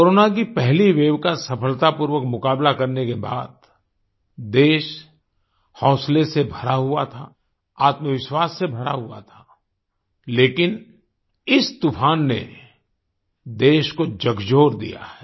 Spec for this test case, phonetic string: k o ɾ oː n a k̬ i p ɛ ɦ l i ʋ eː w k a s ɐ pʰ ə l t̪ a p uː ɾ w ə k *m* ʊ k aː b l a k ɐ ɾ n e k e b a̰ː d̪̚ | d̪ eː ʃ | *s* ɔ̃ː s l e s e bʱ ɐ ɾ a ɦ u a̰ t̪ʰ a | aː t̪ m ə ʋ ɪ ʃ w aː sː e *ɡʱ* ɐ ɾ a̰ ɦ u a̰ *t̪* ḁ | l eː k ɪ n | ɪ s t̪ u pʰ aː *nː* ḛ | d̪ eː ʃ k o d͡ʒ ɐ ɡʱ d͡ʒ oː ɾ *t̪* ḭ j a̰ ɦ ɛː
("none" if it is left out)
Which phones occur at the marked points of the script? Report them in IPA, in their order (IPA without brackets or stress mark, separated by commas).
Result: m, h, bʱ, t̪ʰ, nː, d̪